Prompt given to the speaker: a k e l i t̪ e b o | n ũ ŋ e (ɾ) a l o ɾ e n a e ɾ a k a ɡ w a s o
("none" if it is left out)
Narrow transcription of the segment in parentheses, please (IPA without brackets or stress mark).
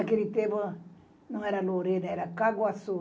ɾ